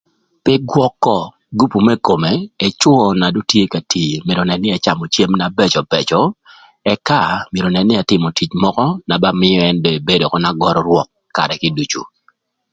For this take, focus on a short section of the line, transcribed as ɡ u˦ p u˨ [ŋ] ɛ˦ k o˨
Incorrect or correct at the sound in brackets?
incorrect: m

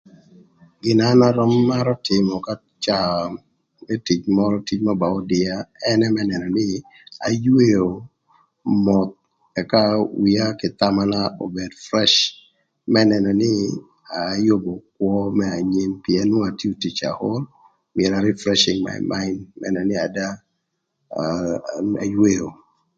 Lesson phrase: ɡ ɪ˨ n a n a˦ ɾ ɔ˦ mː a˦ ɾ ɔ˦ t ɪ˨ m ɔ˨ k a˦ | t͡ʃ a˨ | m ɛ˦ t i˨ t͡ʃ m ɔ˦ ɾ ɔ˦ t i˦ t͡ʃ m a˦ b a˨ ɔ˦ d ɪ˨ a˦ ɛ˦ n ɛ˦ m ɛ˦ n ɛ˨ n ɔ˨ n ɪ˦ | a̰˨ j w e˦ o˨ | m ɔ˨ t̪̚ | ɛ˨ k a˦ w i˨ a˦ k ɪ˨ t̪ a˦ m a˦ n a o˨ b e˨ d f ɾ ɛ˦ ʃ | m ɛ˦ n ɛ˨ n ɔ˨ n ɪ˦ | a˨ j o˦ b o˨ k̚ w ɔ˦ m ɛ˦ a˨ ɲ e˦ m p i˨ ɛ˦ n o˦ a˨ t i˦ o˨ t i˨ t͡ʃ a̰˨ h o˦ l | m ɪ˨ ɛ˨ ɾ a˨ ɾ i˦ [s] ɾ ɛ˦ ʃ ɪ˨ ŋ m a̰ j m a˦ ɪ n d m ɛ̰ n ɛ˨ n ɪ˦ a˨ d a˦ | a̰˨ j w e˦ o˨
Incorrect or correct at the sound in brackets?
incorrect: f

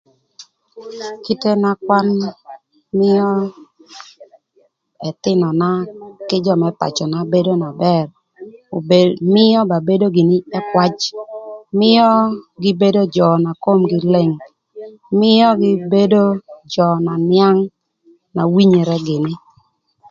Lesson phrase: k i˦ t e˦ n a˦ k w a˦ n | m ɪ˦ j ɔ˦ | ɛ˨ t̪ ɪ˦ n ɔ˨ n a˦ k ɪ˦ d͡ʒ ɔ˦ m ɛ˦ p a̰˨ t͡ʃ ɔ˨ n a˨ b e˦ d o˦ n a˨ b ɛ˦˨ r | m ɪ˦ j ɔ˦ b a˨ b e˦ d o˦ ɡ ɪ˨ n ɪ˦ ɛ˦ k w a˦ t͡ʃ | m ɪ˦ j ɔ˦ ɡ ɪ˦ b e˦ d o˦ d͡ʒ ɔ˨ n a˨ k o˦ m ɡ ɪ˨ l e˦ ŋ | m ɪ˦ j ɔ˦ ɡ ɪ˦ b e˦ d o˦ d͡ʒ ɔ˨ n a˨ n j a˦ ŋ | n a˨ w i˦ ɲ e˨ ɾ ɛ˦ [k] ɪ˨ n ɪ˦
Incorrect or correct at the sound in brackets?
incorrect: ɡ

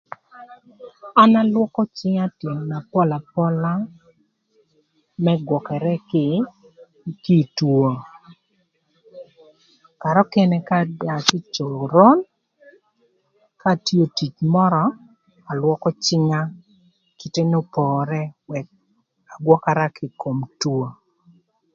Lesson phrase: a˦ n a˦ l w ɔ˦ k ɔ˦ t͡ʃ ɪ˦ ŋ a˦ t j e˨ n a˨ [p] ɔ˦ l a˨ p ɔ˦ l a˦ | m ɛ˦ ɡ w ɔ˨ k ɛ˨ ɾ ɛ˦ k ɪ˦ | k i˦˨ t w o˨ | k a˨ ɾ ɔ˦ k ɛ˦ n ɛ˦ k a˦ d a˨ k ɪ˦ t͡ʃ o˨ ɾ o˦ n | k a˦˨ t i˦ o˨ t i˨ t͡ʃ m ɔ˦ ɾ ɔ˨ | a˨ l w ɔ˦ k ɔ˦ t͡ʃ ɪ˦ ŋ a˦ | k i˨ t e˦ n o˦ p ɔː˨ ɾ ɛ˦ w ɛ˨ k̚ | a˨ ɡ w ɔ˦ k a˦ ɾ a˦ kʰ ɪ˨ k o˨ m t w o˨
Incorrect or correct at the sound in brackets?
correct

